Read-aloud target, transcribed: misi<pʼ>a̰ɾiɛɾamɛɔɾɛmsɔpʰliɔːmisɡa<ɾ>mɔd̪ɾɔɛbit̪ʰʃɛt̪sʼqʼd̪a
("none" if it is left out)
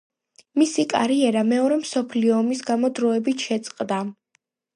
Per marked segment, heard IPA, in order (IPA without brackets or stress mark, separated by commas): kʼ, none